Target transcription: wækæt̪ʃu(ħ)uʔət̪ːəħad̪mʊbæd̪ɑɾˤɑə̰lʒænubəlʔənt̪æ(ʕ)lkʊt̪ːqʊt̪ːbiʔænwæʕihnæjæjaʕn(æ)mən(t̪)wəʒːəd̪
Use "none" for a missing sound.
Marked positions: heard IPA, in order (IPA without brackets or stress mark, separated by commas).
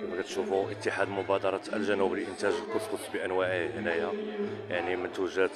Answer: f, ʒ, i, t̪